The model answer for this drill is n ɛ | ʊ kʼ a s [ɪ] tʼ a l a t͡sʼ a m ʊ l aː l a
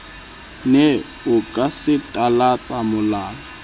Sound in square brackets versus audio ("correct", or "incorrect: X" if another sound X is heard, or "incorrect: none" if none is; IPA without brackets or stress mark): correct